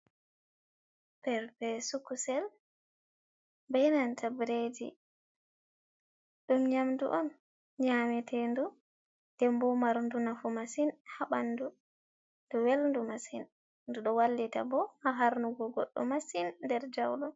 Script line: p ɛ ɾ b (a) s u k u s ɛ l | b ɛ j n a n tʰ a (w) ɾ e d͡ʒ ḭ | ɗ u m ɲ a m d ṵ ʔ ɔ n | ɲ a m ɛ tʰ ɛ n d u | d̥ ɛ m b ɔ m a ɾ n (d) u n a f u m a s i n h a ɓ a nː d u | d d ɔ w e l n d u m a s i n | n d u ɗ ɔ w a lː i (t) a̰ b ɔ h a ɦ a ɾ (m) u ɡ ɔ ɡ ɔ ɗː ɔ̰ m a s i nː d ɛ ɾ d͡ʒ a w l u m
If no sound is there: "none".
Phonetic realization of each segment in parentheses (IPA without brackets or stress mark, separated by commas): ɛ, b, d, t, n